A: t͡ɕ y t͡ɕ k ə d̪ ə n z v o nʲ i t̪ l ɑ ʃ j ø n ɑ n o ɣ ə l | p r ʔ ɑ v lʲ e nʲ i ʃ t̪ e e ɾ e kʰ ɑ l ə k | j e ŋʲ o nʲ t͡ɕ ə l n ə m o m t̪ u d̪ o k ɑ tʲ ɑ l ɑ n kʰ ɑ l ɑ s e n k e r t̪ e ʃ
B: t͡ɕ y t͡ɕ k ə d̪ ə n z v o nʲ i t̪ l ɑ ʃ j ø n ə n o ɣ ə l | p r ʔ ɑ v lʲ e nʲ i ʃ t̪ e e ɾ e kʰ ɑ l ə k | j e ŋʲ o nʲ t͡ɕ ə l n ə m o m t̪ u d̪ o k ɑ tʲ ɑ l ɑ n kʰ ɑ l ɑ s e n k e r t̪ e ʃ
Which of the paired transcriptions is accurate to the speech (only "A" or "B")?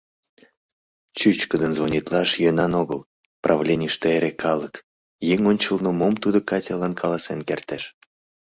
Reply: A